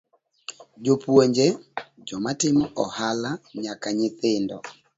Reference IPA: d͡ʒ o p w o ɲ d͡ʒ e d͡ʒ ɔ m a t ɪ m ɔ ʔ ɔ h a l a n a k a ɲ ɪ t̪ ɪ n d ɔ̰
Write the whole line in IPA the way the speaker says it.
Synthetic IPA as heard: d͡ʒ o p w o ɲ d͡ʒ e d͡ʒ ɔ m a t ɪ m ɔ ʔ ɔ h a l a ɲ a k a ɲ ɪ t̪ ɪ n d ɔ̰